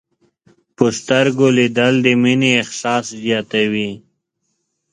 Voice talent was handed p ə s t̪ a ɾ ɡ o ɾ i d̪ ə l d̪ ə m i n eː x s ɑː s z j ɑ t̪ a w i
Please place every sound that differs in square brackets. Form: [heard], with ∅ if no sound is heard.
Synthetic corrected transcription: p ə s t̪ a ɾ ɡ o [l] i d̪ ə l d̪ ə m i n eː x s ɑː s z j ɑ t̪ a w i